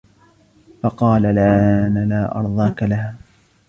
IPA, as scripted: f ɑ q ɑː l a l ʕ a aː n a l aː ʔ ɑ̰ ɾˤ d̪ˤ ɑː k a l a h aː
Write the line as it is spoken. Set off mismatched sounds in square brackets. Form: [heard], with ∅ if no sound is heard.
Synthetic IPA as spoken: f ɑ q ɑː l a l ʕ a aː n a l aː ʔ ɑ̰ ɾˤ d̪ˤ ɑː k a l a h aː